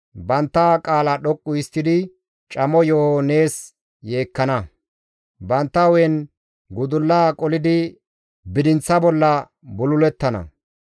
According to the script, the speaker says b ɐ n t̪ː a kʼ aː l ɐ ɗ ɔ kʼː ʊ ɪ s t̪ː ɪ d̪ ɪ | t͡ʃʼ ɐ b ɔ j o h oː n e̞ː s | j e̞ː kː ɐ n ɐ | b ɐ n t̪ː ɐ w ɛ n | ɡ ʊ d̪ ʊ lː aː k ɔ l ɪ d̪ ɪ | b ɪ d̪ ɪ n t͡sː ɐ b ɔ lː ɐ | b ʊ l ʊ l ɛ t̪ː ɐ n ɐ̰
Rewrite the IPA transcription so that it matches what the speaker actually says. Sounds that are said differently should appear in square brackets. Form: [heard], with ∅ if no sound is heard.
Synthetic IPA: b ɐ n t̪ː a kʼ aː l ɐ ɗ ɔ kʼː ʊ ɪ s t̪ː ɪ d̪ ɪ | t͡ʃʼ ɐ [m] ɔ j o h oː n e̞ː s | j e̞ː kː ɐ n ɐ | b ɐ n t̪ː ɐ w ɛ n | ɡ ʊ d̪ ʊ lː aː [kʼ] ɔ l ɪ d̪ ɪ | b ɪ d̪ ɪ n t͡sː ɐ b ɔ lː ɐ | b ʊ l ʊ l ɛ t̪ː ɐ n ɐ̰